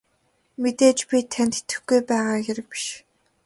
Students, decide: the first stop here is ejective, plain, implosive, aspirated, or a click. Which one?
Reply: plain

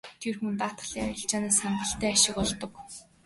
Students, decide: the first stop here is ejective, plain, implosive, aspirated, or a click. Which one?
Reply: aspirated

